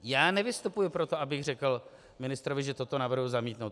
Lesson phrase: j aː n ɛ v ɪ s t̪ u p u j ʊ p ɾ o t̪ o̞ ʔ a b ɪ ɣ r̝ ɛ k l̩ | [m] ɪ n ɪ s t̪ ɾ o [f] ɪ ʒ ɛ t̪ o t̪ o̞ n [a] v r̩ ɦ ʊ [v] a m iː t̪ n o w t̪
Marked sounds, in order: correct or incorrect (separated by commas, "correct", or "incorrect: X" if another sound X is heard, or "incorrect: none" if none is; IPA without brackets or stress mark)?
correct, incorrect: v, correct, incorrect: z